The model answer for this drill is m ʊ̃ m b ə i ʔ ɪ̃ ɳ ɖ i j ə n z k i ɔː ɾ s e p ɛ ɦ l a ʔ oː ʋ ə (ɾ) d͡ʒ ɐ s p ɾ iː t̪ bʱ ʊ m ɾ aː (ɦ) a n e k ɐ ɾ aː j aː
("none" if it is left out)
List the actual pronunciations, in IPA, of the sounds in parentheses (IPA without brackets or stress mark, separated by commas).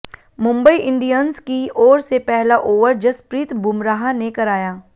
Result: ɾ, ɦ